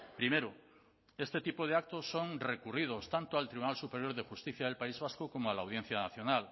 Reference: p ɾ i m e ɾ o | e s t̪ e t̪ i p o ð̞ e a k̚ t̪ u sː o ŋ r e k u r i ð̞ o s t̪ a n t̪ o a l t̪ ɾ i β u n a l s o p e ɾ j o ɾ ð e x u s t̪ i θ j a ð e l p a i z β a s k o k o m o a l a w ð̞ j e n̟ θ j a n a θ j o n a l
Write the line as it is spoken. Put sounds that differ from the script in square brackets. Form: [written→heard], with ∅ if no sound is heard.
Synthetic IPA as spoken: p ɾ i m e ɾ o | e s t̪ e t̪ i p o ð̞ e a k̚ t̪ [u→o] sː o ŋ r e k u r i ð̞ o s t̪ a n t̪ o a l t̪ ɾ i β u n a l s [o→u] p e ɾ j o ɾ ð e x u s t̪ i θ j a ð e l p a i z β a s k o k o m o a l a w ð̞ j e n̟ θ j a n a θ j o n a l

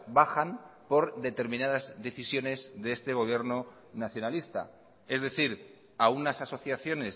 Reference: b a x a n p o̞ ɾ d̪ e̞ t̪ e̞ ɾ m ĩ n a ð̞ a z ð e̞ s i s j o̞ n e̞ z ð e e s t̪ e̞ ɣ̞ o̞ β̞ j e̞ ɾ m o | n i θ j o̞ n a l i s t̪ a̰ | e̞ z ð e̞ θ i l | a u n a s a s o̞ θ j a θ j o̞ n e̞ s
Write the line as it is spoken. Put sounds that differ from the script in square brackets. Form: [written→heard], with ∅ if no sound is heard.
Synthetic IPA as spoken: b a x a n p o̞ ɾ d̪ e̞ t̪ e̞ ɾ m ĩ n a ð̞ a z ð e̞ [s→θ] i s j o̞ n e̞ z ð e e s t̪ e̞ ɣ̞ o̞ β̞ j e̞ ɾ [m→n] o | n [i→a] θ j o̞ n a l i s t̪ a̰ | e̞ z ð e̞ θ i [l→ɾ] | a u n a s a s o̞ θ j a θ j o̞ n e̞ s

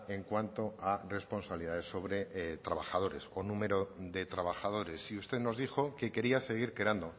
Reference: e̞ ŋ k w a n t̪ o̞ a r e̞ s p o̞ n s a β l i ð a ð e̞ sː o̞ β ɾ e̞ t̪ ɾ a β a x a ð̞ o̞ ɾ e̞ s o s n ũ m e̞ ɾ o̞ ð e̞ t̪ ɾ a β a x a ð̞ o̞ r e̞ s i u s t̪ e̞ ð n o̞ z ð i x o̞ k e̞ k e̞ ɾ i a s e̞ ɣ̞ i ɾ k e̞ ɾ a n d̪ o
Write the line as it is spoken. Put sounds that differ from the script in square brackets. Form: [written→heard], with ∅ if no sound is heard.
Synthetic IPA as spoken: e̞ ŋ k w a n t̪ o̞ a r e̞ s p o̞ n s a β l i ð a ð e̞ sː o̞ β ɾ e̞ t̪ ɾ a β a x a ð̞ o̞ ɾ e̞ s o [s→∅] n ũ m e̞ ɾ o̞ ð e̞ t̪ ɾ a β a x a ð̞ o̞ [r→ɾ] e̞ s i u s t̪ e̞ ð n o̞ z ð i x o̞ k e̞ k e̞ ɾ i a s e̞ ɣ̞ i ɾ k e̞ ɾ a n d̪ o

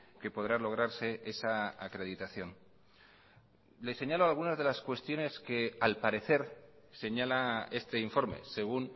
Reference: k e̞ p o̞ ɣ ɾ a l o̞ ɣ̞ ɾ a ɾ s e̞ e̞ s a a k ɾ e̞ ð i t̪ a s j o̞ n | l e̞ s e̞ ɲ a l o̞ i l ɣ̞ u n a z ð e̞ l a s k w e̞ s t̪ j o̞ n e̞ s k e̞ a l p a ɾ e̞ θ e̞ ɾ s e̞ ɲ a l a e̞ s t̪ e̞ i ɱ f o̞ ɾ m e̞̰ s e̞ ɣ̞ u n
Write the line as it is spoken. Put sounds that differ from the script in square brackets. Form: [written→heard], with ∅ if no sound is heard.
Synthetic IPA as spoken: k e̞ p o̞ [ɣ→ð] ɾ a l o̞ ɣ̞ ɾ a ɾ s e̞ e̞ s a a k ɾ e̞ ð i t̪ a [s→θ] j o̞ n | l e̞ s e̞ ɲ a l o̞ [i→a] l ɣ̞ u n a z ð e̞ l a s k w e̞ s t̪ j o̞ n e̞ s k e̞ a l p a ɾ e̞ θ e̞ ɾ s e̞ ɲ a l a e̞ s t̪ e̞ i ɱ f o̞ ɾ m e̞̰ s e̞ ɣ̞ u n

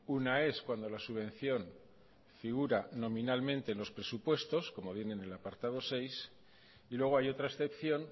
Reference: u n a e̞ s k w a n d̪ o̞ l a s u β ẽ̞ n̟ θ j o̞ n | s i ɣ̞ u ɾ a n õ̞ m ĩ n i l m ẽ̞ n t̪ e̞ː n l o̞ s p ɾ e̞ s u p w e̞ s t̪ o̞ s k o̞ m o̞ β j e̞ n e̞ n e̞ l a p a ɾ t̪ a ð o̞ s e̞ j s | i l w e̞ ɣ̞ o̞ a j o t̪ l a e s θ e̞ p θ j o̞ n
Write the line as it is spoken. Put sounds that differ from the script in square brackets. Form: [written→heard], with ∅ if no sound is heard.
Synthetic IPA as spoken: u n a e̞ s k w a n d̪ o̞ l a s u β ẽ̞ n̟ θ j o̞ n | [s→f] i ɣ̞ u ɾ a n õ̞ m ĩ n [i→a] l m ẽ̞ n t̪ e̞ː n l o̞ s p ɾ e̞ s u p w e̞ s t̪ o̞ s k o̞ m o̞ β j e̞ n e̞ n e̞ l a p a ɾ t̪ a ð o̞ s e̞ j s | i l w e̞ ɣ̞ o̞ a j o t̪ [l→ɾ] a e s θ e̞ p θ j o̞ n

